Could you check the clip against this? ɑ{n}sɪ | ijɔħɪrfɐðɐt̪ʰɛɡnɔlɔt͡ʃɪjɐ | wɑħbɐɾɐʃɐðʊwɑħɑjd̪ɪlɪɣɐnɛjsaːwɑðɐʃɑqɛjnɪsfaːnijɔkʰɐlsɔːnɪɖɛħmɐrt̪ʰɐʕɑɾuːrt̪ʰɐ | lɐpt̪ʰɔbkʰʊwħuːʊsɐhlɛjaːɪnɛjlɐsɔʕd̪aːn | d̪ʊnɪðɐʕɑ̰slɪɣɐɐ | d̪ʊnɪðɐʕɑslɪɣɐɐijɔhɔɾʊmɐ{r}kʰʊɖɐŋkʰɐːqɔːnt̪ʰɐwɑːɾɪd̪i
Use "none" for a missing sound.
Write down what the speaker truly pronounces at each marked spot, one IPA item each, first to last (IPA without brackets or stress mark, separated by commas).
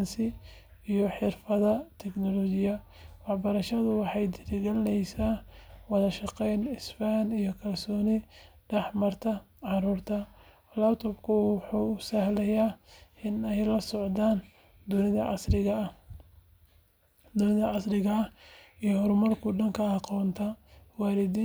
n, r